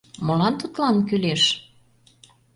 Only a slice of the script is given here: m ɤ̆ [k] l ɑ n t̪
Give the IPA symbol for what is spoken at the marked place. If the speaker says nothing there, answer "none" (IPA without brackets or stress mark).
none